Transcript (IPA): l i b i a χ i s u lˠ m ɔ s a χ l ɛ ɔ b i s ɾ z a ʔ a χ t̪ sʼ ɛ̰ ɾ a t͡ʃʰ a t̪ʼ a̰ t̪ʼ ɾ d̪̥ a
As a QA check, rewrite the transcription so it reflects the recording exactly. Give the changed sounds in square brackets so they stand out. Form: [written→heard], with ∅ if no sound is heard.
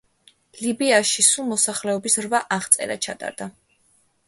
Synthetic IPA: l i b i a [χ→ʃ] i s u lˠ m ɔ s a χ l ɛ ɔ b i s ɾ [z→v] a ʔ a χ t̪ sʼ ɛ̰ ɾ a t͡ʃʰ a t̪ʼ a̰ [t̪ʼ→∅] ɾ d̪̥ a